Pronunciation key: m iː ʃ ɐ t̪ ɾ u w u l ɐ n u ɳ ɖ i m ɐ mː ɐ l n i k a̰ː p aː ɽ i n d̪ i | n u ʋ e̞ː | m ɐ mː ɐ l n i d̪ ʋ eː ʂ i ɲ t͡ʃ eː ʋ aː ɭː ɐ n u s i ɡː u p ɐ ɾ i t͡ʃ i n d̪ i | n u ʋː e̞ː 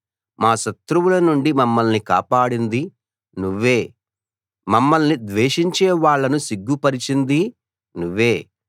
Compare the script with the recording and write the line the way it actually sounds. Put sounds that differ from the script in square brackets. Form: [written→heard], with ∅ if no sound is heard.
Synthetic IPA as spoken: m [iː→aː] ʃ ɐ t̪ ɾ u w u l ɐ n u ɳ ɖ i m ɐ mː ɐ l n i k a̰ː p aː ɽ i n d̪ i | n u [ʋ→ʋː] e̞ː | m ɐ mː ɐ l n i d̪ ʋ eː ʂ i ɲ t͡ʃ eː ʋ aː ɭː ɐ n u s i ɡː u p ɐ ɾ i t͡ʃ i n d̪ i | n u ʋː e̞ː